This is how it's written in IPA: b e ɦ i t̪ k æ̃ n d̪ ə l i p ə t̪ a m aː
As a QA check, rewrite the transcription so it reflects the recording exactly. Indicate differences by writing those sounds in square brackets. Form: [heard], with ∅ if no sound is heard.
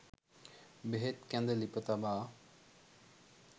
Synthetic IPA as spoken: b e ɦ [e] t̪ k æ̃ n d̪ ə l i p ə t̪ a [b] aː